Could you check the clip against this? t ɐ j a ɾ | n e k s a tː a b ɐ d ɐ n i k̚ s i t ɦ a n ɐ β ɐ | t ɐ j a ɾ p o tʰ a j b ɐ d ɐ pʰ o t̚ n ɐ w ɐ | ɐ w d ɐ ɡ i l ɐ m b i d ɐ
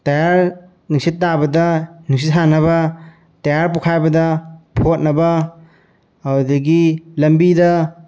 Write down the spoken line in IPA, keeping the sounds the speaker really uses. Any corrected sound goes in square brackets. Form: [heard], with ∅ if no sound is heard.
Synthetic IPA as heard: t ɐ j a ɾ | n [i] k s [i] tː a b ɐ d ɐ n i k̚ s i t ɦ a n ɐ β ɐ | t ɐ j a ɾ p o [kʰ] a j b ɐ d ɐ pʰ o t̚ n ɐ [b] ɐ | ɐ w d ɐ ɡ i l ɐ m b i d ɐ